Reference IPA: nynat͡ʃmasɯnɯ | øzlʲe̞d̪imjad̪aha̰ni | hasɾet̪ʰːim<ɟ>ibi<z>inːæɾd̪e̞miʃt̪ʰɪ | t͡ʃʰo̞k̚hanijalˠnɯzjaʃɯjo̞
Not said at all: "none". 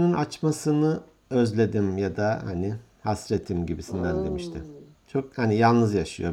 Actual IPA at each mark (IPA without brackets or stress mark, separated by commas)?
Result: ɟ, s